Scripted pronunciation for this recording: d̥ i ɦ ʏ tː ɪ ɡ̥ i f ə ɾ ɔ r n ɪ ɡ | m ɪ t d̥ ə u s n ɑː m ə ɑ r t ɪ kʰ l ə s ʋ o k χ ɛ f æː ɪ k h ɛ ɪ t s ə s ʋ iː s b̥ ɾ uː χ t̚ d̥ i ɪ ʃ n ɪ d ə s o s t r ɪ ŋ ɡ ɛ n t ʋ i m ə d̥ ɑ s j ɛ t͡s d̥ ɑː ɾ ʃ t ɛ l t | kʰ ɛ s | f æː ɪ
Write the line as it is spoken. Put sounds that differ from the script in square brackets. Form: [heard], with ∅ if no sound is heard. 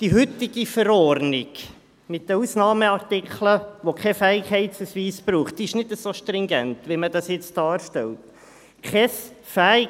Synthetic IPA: d̥ i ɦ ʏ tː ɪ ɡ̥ i f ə ɾ ɔ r n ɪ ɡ | m ɪ t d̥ ə u s n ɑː m ə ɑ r t ɪ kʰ l ə [∅] ʋ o k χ ɛ f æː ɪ k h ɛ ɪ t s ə s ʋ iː s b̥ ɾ uː χ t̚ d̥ i ɪ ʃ n ɪ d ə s o [ʃ] t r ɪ ŋ ɡ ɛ n t ʋ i m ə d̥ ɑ s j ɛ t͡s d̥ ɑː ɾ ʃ t ɛ l t | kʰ ɛ s | f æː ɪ